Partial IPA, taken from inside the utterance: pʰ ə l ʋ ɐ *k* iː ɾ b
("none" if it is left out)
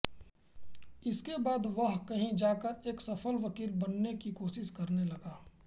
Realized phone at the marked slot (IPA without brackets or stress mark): k